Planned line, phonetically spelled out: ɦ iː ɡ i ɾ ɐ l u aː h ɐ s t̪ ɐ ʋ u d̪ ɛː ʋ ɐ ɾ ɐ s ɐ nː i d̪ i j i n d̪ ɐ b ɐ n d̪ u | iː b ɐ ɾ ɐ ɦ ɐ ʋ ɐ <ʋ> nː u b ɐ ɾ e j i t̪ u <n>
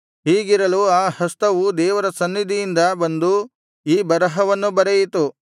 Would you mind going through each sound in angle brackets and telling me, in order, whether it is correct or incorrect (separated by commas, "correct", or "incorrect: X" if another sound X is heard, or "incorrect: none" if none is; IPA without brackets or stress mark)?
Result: incorrect: none, incorrect: none